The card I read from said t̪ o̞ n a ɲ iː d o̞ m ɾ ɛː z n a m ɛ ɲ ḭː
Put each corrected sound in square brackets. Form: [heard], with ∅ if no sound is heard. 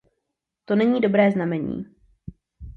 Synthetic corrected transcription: t̪ o̞ n [ɛ] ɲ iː d o̞ [b] ɾ ɛː z n a m ɛ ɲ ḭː